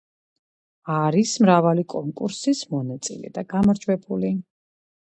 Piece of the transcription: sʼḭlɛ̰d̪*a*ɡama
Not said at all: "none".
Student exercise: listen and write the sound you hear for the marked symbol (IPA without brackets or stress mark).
a